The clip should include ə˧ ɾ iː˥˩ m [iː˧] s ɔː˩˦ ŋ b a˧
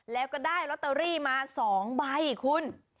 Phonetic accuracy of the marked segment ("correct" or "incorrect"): incorrect